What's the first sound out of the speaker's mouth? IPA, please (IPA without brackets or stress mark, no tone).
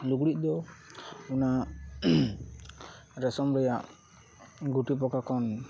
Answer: l